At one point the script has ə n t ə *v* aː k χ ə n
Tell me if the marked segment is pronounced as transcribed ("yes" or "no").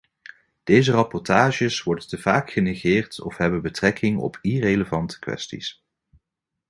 yes